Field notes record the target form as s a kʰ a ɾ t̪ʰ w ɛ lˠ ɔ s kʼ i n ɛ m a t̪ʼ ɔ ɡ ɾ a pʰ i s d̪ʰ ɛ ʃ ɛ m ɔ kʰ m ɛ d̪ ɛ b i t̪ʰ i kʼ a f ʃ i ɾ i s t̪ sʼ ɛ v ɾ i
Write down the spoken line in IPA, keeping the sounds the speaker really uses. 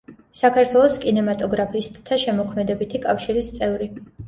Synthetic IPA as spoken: s a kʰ a ɾ t̪ʰ w ɛ lˠ ɔ s kʼ i n ɛ m a t̪ʼ ɔ ɡ ɾ a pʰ i s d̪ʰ a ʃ ɛ m ɔ kʰ m ɛ d̪ ɛ b i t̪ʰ i kʼ a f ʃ i ɾ i s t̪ sʼ ɛ v ɾ i